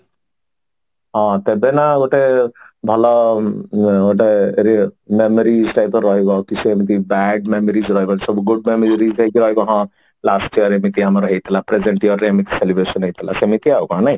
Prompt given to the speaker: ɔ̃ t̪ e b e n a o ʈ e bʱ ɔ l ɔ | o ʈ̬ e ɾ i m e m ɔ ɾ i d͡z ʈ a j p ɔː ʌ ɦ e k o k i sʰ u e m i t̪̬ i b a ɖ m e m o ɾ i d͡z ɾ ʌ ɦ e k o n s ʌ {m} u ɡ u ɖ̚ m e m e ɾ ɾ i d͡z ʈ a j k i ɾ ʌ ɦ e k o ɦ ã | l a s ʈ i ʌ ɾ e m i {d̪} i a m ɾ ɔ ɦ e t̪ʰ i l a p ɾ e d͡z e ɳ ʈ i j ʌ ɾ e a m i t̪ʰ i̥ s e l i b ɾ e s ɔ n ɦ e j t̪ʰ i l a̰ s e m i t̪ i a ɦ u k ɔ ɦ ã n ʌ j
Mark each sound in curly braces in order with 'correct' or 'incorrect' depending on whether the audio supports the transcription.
incorrect, incorrect

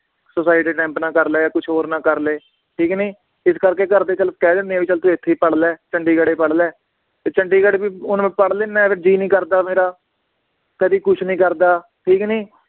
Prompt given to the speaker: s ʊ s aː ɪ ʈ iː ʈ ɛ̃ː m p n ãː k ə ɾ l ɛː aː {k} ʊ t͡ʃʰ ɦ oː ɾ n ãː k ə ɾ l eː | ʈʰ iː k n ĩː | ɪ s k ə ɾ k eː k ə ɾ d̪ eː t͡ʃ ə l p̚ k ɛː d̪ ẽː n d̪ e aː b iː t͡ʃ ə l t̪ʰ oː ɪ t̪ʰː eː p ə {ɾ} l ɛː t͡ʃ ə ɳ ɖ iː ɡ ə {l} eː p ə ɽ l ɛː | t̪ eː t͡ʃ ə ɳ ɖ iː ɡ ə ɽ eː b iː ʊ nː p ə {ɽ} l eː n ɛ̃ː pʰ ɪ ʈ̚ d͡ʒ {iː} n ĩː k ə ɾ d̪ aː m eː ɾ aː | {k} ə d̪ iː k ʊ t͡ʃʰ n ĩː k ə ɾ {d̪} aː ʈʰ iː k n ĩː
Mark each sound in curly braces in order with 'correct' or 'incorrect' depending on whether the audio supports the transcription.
correct, incorrect, incorrect, correct, correct, correct, correct

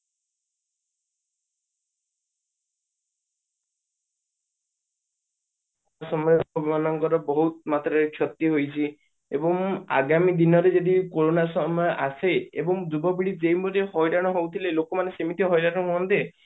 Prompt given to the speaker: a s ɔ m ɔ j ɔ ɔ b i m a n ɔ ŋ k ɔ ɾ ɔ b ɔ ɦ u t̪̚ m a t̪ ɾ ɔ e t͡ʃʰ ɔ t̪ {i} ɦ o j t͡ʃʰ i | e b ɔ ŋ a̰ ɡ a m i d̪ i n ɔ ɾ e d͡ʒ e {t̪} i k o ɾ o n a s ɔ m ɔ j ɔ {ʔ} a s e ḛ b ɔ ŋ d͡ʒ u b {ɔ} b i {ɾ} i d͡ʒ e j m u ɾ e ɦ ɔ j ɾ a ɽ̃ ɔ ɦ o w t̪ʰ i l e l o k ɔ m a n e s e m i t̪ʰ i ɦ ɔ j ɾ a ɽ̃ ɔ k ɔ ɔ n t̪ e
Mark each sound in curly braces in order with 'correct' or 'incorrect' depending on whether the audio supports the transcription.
correct, incorrect, correct, correct, incorrect

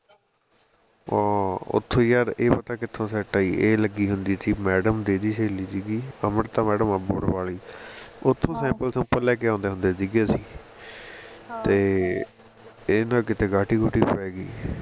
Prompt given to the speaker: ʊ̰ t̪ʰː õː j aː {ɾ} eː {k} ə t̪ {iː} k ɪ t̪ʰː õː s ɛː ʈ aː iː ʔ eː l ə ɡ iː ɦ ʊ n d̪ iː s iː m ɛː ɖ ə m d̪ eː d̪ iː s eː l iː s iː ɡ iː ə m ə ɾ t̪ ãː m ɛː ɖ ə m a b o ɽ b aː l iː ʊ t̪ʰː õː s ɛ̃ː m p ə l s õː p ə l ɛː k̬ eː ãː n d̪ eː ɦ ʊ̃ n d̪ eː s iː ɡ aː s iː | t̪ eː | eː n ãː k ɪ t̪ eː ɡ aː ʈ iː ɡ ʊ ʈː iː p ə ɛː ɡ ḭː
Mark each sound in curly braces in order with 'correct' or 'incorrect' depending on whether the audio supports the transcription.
correct, incorrect, incorrect

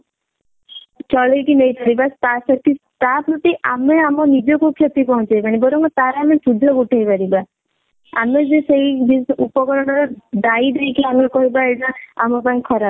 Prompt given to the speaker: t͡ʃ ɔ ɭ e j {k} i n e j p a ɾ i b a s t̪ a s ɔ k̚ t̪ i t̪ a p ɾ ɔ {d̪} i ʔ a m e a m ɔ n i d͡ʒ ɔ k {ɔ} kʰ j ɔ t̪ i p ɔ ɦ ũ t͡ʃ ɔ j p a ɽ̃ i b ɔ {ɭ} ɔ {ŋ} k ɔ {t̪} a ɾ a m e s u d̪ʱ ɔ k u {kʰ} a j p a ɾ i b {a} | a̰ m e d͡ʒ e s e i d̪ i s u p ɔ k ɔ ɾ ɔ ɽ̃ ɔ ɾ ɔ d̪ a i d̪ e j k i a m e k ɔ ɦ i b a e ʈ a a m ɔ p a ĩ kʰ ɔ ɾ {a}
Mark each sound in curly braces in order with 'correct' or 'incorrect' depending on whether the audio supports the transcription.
correct, incorrect, incorrect, incorrect, correct, correct, incorrect, correct, correct

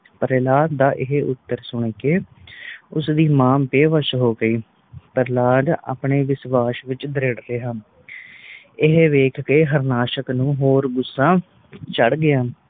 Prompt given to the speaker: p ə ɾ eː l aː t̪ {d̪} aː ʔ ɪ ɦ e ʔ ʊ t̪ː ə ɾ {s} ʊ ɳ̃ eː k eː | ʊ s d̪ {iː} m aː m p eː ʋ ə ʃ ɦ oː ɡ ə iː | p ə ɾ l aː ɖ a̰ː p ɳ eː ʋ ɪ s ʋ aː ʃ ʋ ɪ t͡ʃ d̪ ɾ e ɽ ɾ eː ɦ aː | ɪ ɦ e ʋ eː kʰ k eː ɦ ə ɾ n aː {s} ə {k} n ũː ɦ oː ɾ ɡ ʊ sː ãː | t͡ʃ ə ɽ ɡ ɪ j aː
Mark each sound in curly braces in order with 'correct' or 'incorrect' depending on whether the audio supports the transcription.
correct, correct, correct, incorrect, correct

